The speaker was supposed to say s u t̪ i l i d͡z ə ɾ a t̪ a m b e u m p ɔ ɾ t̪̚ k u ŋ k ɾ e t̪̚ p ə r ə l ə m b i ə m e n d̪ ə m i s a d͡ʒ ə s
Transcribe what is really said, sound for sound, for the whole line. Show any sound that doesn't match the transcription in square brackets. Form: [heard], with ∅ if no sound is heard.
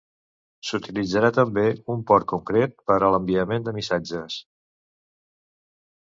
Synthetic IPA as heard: s u t̪ i l i d͡z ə ɾ a t̪ [ə] m b e u m p ɔ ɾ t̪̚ k u ŋ k ɾ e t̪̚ p ə [ɾ] ə l ə m b i ə m e n d̪ ə m i s a d͡ʒ ə s

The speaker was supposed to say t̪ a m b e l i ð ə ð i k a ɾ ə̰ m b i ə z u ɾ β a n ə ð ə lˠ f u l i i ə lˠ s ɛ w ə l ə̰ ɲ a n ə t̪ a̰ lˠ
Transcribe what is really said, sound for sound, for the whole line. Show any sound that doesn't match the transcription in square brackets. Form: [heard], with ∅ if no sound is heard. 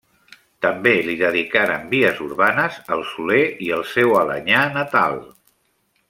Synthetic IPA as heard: t̪ [ə] m b e l i ð ə ð i k a ɾ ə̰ m b i ə z u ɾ β a n ə [z] ə lˠ [s] u l [e] i ə lˠ s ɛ w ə l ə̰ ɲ a n ə t̪ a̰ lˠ

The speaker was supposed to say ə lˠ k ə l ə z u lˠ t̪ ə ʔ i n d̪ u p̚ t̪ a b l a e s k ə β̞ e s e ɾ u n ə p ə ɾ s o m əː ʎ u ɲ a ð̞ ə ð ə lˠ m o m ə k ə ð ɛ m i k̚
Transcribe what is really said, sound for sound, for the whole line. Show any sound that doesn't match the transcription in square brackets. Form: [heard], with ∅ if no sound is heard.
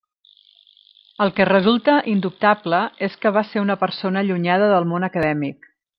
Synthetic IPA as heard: ə lˠ k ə [r] ə z u lˠ t̪ ə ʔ i n d̪ u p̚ t̪ a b l [ə] e s k ə β̞ [a] s e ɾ u n ə p ə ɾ s o [n] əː ʎ u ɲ a ð̞ ə ð ə lˠ m o [n] ə k ə ð ɛ m i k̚

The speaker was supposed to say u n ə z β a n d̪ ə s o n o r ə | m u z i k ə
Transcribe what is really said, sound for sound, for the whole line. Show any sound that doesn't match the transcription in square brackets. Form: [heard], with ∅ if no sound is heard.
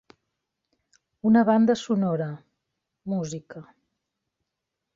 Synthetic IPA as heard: u n ə [∅] β a n d̪ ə s [u] n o [ɾ] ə | m u z i k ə

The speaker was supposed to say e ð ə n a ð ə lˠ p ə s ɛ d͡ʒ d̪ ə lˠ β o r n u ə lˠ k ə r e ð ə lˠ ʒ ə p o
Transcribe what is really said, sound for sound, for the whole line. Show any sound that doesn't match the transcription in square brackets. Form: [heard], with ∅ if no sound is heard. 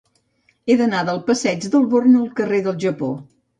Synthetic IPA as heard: e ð ə n a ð ə lˠ p ə s ɛ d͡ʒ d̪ ə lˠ β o r n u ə lˠ k ə r e ð ə lˠ ʒ ə p o

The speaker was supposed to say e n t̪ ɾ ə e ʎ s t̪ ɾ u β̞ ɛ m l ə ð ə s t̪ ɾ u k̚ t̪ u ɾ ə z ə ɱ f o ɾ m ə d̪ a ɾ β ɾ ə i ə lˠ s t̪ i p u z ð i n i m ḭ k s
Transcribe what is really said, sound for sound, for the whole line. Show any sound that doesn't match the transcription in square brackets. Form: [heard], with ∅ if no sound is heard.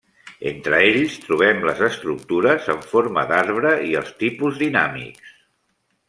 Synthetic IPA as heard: e n t̪ ɾ ə e ʎ s t̪ ɾ u β̞ ɛ m l ə [z] ə s t̪ ɾ u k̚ t̪ u ɾ ə z ə ɱ f o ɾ m ə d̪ a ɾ β ɾ ə i ə lˠ s t̪ i p u z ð i n [a] m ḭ k s

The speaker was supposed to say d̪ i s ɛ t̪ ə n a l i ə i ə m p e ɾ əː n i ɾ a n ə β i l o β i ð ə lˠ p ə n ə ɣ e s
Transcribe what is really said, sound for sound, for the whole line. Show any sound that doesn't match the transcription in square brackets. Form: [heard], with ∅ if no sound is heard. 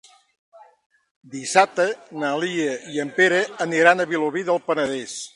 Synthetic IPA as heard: d̪ i s [a] t̪ ə n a l i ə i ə m p e ɾ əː n i ɾ a n ə β i l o β i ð ə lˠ p ə n ə [ð] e s

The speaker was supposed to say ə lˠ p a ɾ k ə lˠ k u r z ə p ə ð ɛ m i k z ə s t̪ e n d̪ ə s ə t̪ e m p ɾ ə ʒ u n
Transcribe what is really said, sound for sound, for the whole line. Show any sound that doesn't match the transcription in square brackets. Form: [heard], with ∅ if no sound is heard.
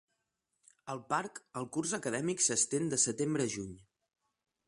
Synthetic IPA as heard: ə lˠ p a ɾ k ə lˠ k u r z ə [k] ə ð ɛ m i k [s] ə s t̪ e n d̪ ə s ə t̪ e m [b] ɾ ə ʒ u [ɲ]

